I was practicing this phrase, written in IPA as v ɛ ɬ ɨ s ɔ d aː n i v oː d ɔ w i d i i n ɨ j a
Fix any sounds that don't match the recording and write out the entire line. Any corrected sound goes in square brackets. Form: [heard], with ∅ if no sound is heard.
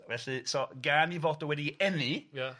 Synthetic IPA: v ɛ ɬ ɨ s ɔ [ɡ] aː n i v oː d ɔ w [ɛ] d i [ɛ] n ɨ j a